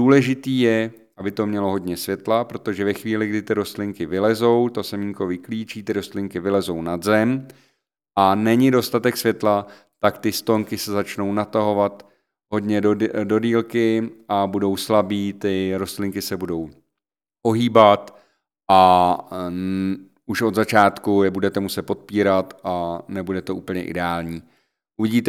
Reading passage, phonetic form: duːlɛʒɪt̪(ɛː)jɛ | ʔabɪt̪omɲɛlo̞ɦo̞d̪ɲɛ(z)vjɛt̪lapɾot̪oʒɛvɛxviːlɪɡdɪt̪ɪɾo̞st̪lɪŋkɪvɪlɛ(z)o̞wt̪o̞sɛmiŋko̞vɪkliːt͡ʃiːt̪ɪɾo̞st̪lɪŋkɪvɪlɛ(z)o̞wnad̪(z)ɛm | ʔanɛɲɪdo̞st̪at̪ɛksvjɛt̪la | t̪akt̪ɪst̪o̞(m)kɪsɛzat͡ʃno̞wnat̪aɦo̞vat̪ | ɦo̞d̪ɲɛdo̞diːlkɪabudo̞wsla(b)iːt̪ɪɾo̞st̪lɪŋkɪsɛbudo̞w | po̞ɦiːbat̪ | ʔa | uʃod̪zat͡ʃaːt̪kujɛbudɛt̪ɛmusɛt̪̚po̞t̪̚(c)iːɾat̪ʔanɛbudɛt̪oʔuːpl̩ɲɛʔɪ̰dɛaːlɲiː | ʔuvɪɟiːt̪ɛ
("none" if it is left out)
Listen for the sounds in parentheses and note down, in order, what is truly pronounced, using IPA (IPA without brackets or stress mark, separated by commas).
iː, s, z, z, z, ŋ, b, p